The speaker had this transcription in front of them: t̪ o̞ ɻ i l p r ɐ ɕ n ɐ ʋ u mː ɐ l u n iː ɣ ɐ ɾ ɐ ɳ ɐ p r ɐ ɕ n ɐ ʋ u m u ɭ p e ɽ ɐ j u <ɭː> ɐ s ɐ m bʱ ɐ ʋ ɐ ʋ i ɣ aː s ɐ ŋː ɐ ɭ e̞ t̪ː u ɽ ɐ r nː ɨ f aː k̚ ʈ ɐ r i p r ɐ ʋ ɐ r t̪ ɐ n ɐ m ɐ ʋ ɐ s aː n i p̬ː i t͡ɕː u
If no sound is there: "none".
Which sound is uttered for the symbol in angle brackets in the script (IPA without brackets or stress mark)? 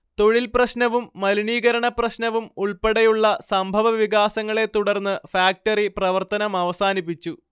ɭː